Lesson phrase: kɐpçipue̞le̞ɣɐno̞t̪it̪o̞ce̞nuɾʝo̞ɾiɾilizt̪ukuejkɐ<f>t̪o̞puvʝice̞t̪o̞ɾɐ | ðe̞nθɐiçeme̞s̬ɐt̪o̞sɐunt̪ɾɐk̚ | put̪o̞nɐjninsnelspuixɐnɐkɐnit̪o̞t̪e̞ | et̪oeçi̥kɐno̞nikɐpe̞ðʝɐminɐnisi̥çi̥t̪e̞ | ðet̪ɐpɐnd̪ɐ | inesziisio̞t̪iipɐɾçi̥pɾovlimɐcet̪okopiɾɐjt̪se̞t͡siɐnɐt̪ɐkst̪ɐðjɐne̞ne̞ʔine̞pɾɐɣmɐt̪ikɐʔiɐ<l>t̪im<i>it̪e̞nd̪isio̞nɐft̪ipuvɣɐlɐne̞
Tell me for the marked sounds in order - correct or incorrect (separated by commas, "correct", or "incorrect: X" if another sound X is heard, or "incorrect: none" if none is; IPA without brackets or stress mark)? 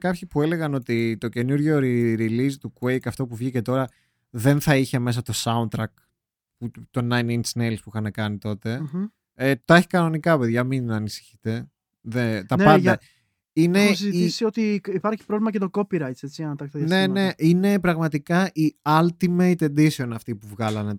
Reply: correct, correct, incorrect: e